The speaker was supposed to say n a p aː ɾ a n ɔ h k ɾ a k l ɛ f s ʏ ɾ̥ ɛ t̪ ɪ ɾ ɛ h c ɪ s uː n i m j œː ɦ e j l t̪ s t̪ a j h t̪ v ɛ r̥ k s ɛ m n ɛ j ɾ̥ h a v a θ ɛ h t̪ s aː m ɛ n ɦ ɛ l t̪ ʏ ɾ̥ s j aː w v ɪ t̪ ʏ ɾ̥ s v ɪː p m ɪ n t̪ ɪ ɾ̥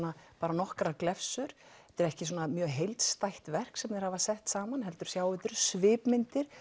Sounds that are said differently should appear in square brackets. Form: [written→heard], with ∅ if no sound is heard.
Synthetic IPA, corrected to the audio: n a p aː ɾ a n ɔ h k ɾ a k l ɛ f s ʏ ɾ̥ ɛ t̪ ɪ ɾ ɛ h c ɪ s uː n [i→a] m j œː ɦ e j l t̪ s t̪ a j h t̪ v ɛ r̥ k s ɛ m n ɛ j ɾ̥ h a v a [θ→s] ɛ h t̪ s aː m [ɛ→a] n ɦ ɛ l t̪ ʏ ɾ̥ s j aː w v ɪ t̪ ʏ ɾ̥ s v ɪː p m ɪ n t̪ ɪ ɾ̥

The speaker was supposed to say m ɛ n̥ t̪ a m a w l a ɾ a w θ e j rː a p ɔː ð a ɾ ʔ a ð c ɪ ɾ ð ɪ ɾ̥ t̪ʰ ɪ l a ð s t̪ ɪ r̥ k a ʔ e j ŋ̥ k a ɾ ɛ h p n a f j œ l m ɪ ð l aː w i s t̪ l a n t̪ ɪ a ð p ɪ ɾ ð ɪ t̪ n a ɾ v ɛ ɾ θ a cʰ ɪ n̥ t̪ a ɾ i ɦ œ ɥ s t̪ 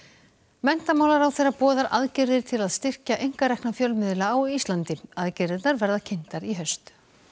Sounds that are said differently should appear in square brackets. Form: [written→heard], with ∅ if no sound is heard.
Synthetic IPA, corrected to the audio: m ɛ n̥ t̪ a m a w l a ɾ a w θ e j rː a p ɔː ð a ɾ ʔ a ð c ɪ ɾ ð ɪ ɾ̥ t̪ʰ ɪ l a ð s t̪ ɪ r̥ [k→c] a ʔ e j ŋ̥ k a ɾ ɛ h [p→k] n a f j œ l m ɪ ð l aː w i s t̪ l a n t̪ ɪ a ð [p→c] ɪ ɾ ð ɪ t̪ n a ɾ v ɛ ɾ [θ→ð] a cʰ ɪ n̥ t̪ a ɾ i ɦ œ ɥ s t̪

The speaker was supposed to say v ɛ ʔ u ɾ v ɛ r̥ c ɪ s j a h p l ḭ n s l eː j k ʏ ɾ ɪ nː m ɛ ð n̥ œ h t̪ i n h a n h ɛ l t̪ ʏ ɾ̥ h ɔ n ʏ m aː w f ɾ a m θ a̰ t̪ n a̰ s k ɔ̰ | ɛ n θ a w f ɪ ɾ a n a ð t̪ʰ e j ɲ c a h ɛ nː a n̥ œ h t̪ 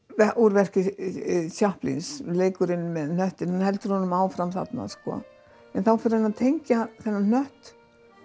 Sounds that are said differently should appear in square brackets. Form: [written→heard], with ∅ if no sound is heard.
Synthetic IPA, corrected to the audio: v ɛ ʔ u ɾ v ɛ r̥ c ɪ s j a h p l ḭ n s l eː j k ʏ ɾ ɪ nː m ɛ ð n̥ œ h t̪ [i→ɪ] n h a n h ɛ l t̪ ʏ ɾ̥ h ɔ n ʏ m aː w f ɾ a m θ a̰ t̪ n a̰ s k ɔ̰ | ɛ n θ a w f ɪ ɾ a n a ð t̪ʰ e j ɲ c a [h→θ] ɛ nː a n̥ œ h t̪

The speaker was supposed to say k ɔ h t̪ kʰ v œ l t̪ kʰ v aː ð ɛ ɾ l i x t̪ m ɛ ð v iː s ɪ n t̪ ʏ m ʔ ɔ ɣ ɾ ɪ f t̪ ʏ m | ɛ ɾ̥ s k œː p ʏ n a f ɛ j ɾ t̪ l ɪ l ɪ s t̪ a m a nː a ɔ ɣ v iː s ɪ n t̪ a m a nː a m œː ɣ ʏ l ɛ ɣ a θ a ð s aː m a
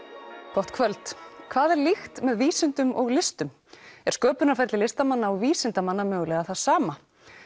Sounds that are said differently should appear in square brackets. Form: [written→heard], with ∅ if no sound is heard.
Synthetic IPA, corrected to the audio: k ɔ h t̪ kʰ v œ l t̪ kʰ v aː ð ɛ ɾ l i x t̪ m ɛ ð v iː s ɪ n t̪ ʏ m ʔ ɔ ɣ [ɾ→l] ɪ [f→s] t̪ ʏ m | ɛ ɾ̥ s k œː p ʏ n a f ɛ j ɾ t̪ l ɪ l ɪ s t̪ a m a nː a ɔ ɣ v iː s ɪ n t̪ a m a nː a m œː ɣ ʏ l ɛ ɣ a θ a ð s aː m a

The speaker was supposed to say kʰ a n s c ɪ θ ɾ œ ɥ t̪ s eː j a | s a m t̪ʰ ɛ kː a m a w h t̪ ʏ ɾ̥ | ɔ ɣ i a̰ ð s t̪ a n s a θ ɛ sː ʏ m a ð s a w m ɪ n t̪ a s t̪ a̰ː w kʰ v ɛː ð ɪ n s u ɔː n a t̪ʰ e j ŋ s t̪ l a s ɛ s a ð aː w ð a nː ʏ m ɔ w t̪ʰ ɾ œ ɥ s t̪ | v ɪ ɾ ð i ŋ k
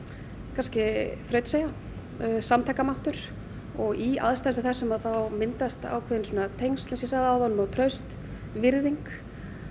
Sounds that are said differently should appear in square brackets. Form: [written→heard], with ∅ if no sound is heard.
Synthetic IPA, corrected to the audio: kʰ a n s c ɪ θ ɾ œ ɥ t̪ s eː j a | s a m t̪ʰ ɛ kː a m a w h t̪ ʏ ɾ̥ | ɔ ɣ i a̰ ð s t̪ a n s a θ ɛ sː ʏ m a ð [s→θ] a w m ɪ n t̪ a s t̪ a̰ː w kʰ v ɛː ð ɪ n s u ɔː n a t̪ʰ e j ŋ s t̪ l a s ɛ s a ð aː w ð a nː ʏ m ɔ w t̪ʰ ɾ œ ɥ s t̪ | v ɪ ɾ ð i ŋ k

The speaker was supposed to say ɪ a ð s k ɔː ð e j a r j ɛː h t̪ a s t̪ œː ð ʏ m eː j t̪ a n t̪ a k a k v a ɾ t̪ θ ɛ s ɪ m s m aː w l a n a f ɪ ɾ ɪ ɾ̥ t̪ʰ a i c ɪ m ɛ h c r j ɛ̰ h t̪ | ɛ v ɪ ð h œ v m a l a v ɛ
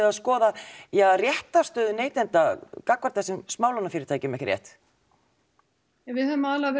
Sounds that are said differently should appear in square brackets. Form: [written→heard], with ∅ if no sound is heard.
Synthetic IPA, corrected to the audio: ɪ a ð s k ɔː ð [e→a] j a r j [ɛː→ɛ] h t̪ a s t̪ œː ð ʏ [m→n] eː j t̪ [a→ɛ] n t̪ a k a k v a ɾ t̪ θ ɛ s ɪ m s m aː w l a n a f ɪ ɾ ɪ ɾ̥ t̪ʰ a [i→j] c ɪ m ɛ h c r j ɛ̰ h t̪ | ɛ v ɪ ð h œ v m a l a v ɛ

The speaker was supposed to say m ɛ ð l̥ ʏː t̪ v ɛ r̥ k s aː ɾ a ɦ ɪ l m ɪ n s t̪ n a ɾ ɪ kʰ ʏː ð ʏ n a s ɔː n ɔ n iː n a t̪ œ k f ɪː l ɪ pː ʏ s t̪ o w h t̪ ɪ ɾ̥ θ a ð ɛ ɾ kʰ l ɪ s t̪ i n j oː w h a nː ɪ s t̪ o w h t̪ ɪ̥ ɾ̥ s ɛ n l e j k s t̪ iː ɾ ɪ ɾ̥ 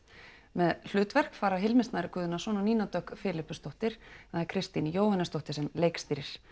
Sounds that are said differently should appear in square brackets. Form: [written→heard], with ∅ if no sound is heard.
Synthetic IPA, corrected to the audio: m ɛ ð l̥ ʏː t̪ v ɛ r̥ k [s→f] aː ɾ a ɦ ɪ l m ɪ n s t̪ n a ɾ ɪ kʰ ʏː ð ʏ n a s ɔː n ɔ n iː n a t̪ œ k f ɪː l ɪ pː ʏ s t̪ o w h t̪ ɪ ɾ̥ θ a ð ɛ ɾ kʰ [l→ɾ] ɪ s t̪ i n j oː w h a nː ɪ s t̪ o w h t̪ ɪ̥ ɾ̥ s ɛ [n→m] l e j k s t̪ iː ɾ ɪ ɾ̥

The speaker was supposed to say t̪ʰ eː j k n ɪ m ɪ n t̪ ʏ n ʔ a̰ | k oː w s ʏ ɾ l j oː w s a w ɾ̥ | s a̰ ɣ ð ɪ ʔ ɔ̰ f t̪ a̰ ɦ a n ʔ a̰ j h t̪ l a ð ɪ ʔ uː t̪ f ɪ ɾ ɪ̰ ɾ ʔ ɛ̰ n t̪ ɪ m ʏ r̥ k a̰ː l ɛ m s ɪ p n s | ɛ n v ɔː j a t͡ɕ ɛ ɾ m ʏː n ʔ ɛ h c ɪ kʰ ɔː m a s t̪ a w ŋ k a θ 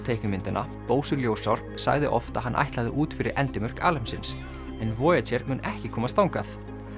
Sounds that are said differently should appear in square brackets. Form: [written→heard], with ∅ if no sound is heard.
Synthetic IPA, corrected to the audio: t̪ʰ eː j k n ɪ m ɪ n t̪ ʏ n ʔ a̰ | [k→p] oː w s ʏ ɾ l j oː w s a w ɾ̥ | s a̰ ɣ ð ɪ ʔ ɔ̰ f t̪ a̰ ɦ a n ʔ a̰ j h t̪ l a ð ɪ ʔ uː t̪ f ɪ ɾ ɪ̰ ɾ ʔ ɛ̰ n t̪ ɪ m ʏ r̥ k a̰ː l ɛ m s ɪ [p→∅] n s | ɛ n v ɔː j a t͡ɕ ɛ ɾ m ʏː n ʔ ɛ h c ɪ kʰ ɔː m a s t̪ a w ŋ k a θ

